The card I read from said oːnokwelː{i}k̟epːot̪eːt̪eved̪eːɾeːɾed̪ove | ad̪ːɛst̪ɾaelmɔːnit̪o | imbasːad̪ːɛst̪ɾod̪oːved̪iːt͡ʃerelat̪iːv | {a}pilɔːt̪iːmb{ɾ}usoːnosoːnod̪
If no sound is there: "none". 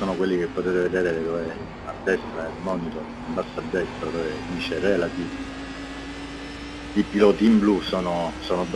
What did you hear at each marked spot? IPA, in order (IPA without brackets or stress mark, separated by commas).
i, i, l